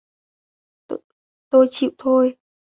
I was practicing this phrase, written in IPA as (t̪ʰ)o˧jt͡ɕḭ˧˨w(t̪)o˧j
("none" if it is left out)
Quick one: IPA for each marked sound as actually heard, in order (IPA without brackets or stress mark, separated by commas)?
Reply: t̪, t̪ʰ